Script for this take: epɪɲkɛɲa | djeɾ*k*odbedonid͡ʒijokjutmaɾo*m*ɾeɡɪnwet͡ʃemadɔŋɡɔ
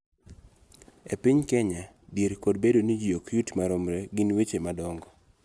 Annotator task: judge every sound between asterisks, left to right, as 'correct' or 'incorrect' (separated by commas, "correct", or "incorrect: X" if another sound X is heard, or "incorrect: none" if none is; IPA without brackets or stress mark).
correct, correct